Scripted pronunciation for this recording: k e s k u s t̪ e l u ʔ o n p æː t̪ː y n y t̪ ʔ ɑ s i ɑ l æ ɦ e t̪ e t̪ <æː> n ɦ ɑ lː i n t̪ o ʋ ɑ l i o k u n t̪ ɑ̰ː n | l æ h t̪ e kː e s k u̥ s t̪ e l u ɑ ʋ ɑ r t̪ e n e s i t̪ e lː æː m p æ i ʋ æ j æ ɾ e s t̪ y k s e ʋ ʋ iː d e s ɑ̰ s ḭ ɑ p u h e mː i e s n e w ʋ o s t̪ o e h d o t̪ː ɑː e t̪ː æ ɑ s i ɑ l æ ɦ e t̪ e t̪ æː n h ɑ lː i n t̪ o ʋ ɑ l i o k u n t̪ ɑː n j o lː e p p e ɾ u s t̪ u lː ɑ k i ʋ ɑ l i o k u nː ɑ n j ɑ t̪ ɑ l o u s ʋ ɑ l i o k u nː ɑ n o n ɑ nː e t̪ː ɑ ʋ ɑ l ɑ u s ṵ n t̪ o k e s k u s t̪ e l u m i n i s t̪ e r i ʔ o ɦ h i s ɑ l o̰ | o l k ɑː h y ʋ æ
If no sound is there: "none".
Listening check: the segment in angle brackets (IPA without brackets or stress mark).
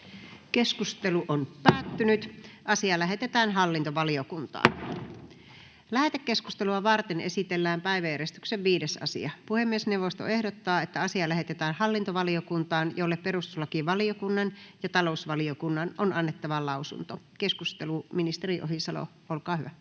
æː